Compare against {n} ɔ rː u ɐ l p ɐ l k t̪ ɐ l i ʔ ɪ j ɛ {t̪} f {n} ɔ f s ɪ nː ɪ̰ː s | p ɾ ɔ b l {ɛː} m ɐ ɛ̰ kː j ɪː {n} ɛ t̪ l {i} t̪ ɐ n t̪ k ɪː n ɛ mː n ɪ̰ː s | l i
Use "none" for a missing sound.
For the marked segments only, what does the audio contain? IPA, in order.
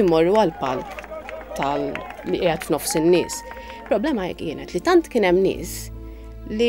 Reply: m, t̪, n, ɛː, n, i

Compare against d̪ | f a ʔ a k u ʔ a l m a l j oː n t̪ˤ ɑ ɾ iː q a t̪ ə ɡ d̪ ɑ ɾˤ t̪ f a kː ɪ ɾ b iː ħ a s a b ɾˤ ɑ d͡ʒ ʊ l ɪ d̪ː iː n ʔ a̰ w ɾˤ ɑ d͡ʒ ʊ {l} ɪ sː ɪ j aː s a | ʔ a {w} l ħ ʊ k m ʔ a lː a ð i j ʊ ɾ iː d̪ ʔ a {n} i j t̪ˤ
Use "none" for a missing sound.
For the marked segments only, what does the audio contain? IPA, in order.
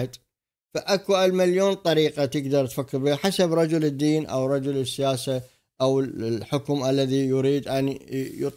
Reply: l, w, n

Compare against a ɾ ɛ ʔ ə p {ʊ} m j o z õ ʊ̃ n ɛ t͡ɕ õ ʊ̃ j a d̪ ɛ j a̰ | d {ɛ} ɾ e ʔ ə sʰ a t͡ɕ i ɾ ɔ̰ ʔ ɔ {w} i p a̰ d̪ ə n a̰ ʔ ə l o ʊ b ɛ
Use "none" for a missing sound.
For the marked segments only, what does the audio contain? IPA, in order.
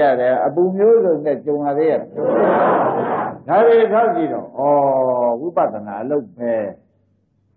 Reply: u, a, w

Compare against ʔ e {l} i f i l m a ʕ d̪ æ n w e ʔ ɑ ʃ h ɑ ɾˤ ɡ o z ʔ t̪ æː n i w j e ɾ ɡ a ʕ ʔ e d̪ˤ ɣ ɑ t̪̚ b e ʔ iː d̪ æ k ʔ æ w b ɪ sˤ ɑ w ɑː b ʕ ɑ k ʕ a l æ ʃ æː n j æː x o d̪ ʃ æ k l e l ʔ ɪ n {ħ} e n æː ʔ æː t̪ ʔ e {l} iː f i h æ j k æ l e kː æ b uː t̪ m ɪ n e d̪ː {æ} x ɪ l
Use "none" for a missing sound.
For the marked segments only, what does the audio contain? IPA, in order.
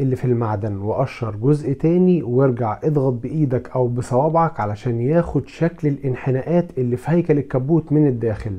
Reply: lː, ħ, lː, æː

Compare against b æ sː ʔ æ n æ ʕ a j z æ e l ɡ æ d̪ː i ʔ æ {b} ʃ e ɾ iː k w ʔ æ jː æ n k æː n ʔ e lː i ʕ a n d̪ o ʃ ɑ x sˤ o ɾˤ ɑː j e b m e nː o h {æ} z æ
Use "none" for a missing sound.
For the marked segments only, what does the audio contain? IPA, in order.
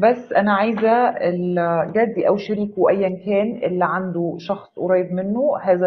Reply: w, æː

